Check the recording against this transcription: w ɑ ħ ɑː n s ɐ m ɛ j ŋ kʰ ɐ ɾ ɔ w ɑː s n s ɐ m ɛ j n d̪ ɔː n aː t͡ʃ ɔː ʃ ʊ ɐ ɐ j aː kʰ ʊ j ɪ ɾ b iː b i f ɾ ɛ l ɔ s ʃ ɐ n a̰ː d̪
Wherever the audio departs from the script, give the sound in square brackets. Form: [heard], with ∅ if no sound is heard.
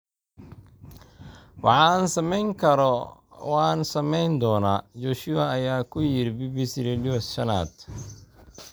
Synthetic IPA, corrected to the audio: w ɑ ħ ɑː n s ɐ m ɛ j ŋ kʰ ɐ ɾ ɔ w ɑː [∅] n s ɐ m ɛ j n d̪ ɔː n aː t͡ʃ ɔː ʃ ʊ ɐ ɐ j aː kʰ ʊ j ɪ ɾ b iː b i [s] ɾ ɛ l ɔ s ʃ ɐ n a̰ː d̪